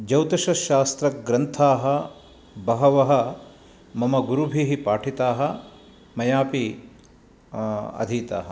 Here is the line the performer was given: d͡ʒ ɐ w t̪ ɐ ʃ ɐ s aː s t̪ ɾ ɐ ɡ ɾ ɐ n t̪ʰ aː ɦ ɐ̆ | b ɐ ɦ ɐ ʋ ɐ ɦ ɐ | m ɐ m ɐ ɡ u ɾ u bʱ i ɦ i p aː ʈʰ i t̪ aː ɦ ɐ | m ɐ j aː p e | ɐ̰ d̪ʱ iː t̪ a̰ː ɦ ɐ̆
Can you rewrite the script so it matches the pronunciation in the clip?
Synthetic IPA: d͡ʒ ɐ w t̪ ɐ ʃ ɐ ʃ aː s t̪ ɾ ɐ ɡ ɾ ɐ n t̪ʰ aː ɦ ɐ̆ | b ɐ ɦ ɐ ʋ ɐ ɦ ɐ | m ɐ m ɐ ɡ u ɾ u bʱ i ɦ i p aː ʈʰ i t̪ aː ɦ ɐ | m ɐ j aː p i | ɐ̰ d̪ʱ iː t̪ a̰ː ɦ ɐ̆